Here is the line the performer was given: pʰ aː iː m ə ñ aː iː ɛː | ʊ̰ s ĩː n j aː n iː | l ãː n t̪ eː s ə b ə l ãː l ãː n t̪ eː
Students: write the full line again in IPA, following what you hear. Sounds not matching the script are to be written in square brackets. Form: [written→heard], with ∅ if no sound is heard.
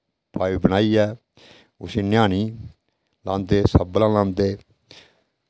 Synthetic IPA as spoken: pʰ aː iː [m→b] ə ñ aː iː ɛː | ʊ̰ s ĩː n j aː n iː | l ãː n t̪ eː s ə b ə l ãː l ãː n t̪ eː